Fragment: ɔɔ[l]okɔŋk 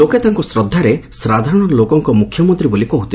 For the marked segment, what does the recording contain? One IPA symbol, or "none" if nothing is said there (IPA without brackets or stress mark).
l